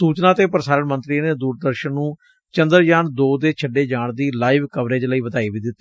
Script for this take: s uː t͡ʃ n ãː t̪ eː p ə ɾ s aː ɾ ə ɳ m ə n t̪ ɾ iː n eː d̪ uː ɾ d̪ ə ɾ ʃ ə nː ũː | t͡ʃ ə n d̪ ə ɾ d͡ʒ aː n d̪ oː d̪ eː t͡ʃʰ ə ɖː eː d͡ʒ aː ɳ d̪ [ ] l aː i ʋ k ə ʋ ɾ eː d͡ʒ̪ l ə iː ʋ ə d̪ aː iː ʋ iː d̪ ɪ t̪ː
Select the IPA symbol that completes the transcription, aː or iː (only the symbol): iː